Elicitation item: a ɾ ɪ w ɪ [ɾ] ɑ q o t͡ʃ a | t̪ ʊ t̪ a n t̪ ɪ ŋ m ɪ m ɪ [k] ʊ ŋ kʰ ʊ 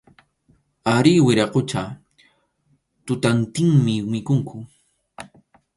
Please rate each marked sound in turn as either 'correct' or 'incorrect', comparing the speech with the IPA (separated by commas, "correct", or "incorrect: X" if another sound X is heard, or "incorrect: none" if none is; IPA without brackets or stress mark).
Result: correct, correct